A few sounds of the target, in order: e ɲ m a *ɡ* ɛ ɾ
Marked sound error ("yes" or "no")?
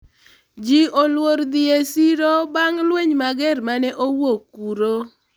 no